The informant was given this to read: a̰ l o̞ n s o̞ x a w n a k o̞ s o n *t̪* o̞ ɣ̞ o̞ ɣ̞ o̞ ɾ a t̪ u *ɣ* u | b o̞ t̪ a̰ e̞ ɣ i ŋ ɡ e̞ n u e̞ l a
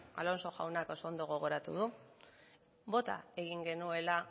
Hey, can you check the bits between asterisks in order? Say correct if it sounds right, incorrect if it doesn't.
incorrect, incorrect

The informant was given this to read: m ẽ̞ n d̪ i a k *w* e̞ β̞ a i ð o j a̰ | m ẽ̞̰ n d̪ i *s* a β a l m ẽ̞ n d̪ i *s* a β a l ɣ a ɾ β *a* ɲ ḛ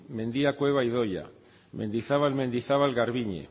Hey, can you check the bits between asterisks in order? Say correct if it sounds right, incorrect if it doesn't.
correct, incorrect, incorrect, incorrect

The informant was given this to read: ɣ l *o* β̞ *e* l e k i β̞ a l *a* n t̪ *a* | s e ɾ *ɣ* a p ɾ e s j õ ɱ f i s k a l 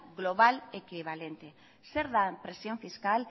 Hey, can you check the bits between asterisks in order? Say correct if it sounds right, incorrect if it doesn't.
correct, incorrect, incorrect, incorrect, incorrect

